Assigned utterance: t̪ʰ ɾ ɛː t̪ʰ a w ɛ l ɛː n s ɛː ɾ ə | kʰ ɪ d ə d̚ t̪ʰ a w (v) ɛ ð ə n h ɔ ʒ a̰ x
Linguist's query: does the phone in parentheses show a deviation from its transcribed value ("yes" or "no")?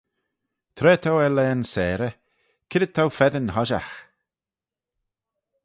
yes